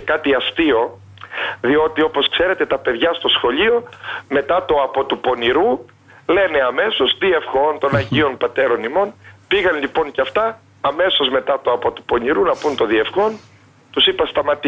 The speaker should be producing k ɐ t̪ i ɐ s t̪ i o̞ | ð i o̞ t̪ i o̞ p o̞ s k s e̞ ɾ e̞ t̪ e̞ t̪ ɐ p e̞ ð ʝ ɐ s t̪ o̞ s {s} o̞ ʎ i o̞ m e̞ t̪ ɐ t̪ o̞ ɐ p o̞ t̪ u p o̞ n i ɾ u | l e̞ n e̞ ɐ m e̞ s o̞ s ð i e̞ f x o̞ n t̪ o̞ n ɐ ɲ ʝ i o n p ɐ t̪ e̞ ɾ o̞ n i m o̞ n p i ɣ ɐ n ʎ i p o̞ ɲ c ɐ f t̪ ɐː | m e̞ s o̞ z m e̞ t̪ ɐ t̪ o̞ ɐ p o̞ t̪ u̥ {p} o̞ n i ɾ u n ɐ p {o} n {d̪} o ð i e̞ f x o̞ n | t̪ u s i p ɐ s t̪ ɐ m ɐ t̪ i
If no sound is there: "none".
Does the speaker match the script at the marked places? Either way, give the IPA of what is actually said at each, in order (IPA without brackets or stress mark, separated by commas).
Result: x, p, u, t̪